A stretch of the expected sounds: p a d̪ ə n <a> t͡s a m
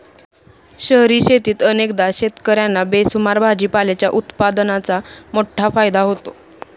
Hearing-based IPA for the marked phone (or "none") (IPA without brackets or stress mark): a